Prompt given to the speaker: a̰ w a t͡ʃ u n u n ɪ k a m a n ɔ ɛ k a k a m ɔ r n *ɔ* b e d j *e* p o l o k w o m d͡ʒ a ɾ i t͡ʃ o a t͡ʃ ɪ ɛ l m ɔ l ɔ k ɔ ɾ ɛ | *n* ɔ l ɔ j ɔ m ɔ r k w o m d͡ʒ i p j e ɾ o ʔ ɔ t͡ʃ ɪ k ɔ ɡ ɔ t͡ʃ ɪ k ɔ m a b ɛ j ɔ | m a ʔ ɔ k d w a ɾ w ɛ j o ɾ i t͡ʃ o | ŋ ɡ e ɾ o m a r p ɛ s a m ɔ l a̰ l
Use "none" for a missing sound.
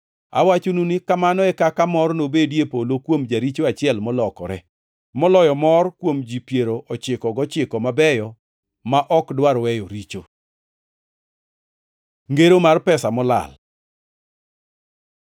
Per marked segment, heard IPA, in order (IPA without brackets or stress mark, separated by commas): o, e, m